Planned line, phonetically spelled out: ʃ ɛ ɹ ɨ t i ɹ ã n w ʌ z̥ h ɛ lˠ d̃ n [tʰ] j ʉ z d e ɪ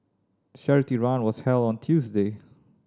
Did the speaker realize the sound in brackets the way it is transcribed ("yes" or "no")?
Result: yes